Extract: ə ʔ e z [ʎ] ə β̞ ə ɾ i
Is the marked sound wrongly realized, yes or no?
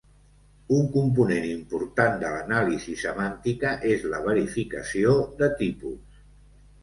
yes